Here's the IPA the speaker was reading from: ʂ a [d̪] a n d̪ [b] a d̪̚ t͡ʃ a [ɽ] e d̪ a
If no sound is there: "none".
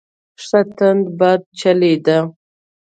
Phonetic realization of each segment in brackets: t̪, b, l

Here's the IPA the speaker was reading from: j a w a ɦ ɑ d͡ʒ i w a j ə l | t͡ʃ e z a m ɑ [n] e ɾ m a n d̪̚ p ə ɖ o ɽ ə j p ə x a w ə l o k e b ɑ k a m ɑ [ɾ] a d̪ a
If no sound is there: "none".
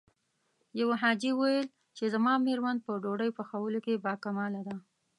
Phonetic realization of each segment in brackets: m, l

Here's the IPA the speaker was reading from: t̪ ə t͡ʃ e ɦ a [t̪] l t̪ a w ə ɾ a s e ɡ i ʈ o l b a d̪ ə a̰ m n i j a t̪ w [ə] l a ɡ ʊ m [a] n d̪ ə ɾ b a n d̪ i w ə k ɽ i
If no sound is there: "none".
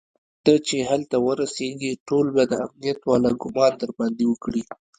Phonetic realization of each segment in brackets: none, ɑ, ɑ

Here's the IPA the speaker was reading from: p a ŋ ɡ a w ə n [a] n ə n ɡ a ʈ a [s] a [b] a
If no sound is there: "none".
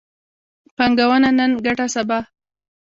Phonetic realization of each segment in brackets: a, s, b

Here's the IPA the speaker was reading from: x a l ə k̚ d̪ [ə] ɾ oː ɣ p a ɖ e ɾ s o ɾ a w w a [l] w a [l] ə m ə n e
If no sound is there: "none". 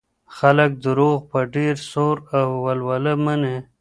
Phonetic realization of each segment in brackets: ə, l, l

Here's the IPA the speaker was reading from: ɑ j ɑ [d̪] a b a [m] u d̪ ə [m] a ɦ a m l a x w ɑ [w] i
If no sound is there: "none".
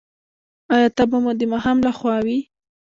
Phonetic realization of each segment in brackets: t̪, m, m, w

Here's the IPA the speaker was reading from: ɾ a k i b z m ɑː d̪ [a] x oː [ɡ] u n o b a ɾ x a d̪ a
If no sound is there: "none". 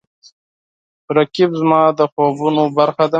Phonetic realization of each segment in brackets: ə, b

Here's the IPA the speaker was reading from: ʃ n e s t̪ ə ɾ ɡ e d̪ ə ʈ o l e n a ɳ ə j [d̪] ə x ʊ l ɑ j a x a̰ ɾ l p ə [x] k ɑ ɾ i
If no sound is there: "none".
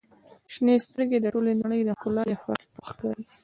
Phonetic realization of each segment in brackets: d̪, x

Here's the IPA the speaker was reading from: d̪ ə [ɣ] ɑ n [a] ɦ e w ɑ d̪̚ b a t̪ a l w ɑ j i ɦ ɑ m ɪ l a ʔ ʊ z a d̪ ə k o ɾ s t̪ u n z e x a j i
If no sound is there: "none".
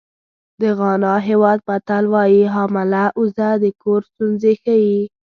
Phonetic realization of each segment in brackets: ɣ, ɑ

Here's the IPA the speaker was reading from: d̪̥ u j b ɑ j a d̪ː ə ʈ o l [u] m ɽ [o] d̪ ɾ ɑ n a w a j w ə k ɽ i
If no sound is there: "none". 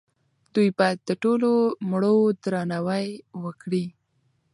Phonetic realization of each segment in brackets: o, o

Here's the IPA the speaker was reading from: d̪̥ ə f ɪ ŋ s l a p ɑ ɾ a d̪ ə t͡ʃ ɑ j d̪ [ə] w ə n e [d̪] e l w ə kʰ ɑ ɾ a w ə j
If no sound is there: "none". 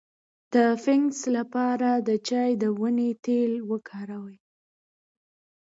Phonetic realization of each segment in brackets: ə, t̪

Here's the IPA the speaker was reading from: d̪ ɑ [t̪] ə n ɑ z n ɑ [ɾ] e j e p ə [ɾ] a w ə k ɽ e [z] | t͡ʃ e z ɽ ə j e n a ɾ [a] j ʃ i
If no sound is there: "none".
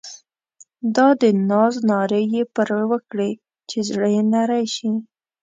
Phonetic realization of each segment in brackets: d̪, ɾ, ɾ, none, a

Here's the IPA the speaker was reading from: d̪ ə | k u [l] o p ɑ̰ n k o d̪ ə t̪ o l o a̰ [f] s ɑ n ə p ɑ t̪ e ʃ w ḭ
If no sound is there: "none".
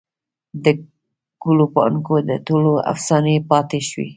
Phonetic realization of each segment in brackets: l, f

